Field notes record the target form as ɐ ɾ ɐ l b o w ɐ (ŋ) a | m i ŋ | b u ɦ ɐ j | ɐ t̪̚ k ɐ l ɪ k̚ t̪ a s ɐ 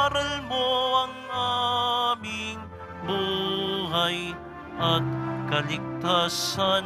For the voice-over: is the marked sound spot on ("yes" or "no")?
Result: yes